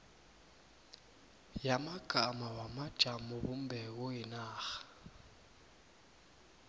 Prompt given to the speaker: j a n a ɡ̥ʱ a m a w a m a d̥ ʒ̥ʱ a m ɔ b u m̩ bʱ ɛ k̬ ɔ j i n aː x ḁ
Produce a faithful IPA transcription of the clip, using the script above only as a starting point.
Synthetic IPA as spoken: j a m a ɡ̥ʱ a m a w a m a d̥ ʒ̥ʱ a m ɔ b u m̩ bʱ ɛ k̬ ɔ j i n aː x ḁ